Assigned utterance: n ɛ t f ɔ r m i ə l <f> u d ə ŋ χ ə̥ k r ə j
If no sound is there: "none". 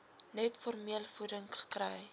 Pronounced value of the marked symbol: f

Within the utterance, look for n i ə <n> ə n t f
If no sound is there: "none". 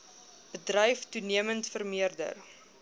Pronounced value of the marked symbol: m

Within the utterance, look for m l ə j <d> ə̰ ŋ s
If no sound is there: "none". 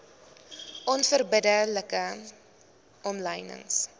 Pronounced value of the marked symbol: n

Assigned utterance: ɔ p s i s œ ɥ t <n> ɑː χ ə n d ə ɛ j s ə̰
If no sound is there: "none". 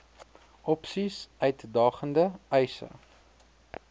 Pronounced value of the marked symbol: d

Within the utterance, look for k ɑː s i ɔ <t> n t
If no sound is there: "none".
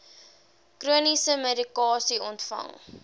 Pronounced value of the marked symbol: none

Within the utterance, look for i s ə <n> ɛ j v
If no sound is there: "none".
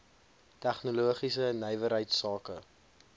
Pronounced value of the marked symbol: n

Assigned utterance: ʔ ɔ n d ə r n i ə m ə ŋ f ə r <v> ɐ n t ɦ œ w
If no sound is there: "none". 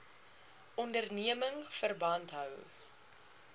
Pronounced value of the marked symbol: b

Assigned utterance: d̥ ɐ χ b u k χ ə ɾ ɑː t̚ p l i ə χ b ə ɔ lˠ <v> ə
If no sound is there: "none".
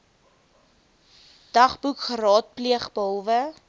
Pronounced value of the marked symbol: v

